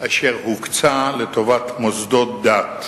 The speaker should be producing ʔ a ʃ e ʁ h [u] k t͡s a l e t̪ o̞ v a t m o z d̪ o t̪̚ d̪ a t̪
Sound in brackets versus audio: correct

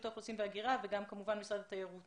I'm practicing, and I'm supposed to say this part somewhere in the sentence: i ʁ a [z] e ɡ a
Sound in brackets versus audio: incorrect: v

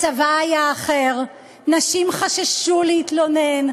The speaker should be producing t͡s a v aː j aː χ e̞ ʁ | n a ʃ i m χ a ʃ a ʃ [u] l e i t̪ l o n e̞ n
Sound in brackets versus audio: correct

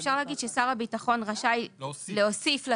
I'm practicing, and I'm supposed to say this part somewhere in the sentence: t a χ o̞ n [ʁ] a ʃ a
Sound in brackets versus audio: correct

